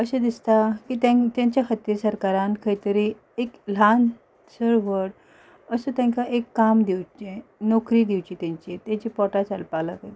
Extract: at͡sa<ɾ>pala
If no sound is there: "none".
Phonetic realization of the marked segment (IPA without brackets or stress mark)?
l